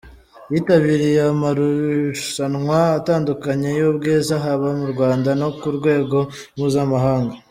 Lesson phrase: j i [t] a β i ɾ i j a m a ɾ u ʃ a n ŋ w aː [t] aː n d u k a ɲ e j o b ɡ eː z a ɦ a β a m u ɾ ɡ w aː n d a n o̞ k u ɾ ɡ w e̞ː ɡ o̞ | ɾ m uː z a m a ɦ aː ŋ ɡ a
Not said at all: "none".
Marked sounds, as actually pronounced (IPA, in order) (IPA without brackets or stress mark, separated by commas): t, t